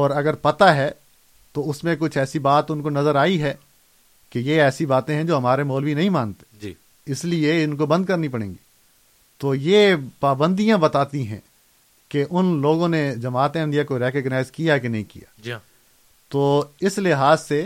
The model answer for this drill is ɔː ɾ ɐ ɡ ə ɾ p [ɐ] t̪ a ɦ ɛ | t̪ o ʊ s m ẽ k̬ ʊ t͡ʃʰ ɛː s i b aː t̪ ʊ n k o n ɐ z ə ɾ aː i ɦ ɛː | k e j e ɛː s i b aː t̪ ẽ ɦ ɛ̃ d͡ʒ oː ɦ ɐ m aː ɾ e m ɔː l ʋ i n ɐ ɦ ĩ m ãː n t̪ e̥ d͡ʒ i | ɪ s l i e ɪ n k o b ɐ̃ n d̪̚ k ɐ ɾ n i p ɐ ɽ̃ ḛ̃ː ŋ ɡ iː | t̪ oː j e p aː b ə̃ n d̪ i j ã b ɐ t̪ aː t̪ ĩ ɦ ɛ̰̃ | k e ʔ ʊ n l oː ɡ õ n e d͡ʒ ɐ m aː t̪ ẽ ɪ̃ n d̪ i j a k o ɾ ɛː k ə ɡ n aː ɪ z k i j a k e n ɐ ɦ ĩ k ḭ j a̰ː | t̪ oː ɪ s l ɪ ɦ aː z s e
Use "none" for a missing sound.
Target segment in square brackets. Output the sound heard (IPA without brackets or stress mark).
ɐ